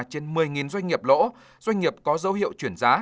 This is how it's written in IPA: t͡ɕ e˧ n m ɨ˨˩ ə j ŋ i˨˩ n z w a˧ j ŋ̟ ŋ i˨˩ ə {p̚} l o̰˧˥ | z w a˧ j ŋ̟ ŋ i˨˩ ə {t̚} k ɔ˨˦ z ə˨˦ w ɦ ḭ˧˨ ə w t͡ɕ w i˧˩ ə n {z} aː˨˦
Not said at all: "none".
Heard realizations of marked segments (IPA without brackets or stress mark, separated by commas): p̚, p̚, z